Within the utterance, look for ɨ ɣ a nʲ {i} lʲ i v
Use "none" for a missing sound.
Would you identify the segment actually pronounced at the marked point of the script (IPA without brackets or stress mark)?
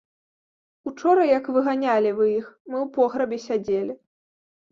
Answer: a